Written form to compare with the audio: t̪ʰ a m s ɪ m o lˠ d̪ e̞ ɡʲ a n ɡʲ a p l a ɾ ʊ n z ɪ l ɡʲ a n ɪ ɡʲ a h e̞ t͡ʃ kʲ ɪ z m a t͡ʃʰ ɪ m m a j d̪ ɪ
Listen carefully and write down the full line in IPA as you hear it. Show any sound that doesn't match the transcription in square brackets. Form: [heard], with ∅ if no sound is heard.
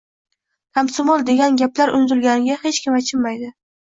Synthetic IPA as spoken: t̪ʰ a m s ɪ m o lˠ d̪ e̞ ɡʲ a n ɡʲ a p l a ɾ ʊ n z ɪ l ɡʲ a n ɪ ɡʲ a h e̞ t͡ʃ kʲ ɪ [∅] m a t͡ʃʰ ɪ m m a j d̪ ɪ